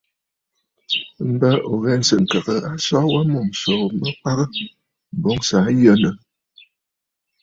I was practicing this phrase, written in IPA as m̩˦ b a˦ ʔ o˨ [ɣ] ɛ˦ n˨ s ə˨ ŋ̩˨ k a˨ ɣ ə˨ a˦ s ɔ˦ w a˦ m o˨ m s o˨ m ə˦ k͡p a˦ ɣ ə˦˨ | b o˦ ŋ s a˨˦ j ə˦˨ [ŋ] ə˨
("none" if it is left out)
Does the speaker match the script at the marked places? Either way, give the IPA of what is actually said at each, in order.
ɣ, n

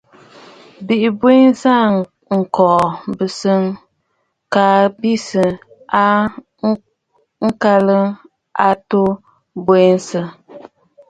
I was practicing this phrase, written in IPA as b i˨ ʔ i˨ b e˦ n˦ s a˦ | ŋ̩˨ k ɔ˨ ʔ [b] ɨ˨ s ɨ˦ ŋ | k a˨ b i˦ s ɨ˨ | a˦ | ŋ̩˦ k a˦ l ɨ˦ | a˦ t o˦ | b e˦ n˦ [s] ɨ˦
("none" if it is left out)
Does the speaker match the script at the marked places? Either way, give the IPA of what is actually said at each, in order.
b, s

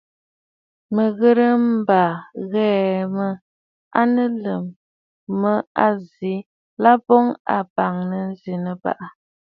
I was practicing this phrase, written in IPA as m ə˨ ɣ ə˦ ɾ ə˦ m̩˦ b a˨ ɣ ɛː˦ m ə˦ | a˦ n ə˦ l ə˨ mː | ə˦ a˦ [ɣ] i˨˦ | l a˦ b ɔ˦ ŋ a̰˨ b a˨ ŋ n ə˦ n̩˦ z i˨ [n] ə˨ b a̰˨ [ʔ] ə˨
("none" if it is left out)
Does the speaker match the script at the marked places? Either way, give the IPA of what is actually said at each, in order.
z, n, ʔ

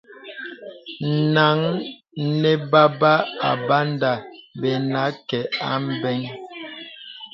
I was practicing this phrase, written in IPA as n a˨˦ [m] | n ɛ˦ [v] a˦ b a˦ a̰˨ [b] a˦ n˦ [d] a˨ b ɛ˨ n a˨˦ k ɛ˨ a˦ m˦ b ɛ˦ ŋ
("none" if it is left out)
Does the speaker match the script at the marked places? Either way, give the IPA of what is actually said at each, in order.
ŋ, b, b, d

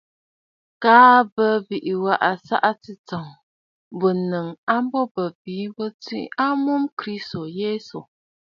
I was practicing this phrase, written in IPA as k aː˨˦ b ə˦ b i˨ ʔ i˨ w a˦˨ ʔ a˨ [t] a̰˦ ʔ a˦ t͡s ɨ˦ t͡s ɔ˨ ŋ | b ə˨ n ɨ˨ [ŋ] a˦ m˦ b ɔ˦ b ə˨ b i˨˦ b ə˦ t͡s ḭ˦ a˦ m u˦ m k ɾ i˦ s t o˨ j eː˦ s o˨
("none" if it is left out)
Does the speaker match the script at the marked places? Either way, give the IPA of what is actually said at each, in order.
s, ŋ

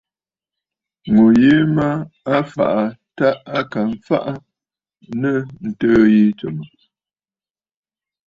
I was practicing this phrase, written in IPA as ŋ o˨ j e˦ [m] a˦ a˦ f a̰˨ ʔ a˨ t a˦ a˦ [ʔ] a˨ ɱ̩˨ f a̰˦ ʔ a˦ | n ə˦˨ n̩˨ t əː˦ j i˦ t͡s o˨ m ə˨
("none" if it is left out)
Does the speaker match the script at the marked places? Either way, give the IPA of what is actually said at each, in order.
m, k

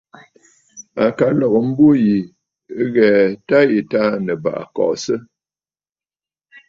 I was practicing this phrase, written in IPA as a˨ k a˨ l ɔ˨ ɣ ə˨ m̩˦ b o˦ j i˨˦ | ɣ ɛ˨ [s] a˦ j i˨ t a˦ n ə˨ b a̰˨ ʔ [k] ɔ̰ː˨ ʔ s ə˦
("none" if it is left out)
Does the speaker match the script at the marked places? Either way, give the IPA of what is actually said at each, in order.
t, k

